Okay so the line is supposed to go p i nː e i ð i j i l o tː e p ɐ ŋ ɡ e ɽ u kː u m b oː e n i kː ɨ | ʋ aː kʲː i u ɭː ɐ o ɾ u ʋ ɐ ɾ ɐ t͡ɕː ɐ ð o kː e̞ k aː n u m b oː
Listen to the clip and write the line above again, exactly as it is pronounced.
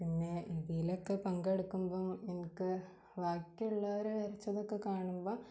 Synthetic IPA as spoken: p i nː e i ð i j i l o kː e p ɐ ŋ ɡ e ɽ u kː u m b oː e n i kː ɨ | ʋ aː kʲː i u ɭː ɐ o ɾ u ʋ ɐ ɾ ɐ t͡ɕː ɐ ð o kː e̞ k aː ɳ u m b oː